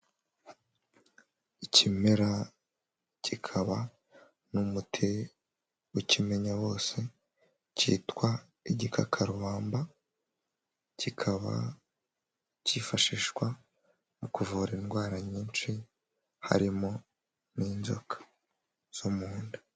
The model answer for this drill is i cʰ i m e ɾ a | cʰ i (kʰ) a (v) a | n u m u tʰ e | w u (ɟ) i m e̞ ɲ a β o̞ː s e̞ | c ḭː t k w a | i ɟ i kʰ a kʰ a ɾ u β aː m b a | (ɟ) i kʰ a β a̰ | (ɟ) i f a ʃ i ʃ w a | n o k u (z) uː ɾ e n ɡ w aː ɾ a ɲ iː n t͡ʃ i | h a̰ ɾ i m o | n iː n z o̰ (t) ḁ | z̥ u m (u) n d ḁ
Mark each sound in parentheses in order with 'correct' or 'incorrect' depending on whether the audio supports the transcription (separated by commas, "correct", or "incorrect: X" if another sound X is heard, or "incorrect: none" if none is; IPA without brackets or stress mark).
correct, incorrect: β, incorrect: c, incorrect: c, incorrect: c, incorrect: v, incorrect: k, incorrect: uː